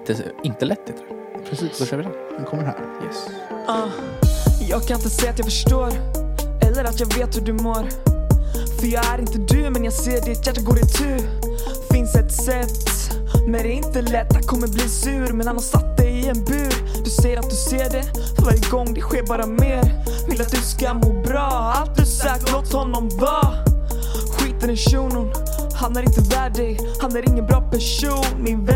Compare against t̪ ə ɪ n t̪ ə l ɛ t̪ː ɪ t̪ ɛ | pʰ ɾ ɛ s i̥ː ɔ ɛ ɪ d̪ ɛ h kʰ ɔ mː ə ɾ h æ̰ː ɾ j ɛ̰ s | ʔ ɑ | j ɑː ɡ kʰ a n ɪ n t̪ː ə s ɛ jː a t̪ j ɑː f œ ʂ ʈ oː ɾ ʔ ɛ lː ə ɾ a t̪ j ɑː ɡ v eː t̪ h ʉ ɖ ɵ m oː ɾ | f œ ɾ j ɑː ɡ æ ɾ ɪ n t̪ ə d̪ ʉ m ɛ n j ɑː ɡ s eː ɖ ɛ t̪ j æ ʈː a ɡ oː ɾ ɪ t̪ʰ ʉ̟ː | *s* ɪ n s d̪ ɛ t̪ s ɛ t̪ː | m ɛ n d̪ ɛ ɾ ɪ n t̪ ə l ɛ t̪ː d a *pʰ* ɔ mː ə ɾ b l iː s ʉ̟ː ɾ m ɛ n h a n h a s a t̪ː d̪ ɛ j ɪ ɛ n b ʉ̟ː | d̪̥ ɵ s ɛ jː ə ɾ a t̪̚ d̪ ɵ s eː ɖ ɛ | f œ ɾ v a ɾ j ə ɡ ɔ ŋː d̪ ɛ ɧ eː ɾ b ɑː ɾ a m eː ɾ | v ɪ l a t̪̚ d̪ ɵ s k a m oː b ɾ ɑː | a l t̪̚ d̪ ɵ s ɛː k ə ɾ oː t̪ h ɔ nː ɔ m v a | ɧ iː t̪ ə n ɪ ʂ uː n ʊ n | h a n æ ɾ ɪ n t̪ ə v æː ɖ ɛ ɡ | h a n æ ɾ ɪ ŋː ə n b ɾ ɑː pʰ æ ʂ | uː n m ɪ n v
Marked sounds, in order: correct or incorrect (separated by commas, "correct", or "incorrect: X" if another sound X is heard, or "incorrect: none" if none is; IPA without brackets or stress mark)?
incorrect: f, incorrect: kʰ